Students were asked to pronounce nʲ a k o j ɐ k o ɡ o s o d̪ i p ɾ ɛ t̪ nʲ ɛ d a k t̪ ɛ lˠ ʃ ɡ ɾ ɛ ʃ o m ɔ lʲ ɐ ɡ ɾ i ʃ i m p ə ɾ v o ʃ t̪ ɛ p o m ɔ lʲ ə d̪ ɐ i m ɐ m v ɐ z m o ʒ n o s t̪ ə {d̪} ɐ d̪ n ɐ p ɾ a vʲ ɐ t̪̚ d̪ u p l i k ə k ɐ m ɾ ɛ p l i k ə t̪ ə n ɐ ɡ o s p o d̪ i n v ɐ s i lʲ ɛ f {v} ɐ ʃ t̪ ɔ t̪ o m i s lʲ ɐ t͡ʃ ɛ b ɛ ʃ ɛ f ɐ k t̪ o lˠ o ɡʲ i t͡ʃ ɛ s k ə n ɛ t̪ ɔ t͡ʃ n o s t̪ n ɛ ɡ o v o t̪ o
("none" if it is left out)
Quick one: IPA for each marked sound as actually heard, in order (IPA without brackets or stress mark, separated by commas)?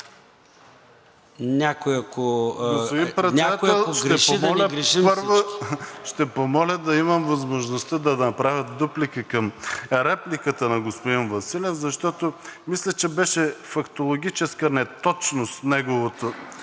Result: d̪, z